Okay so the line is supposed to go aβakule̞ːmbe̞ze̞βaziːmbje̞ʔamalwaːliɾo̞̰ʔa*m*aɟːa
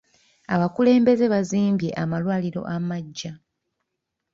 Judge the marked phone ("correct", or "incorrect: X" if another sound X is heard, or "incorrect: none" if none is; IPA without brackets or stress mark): correct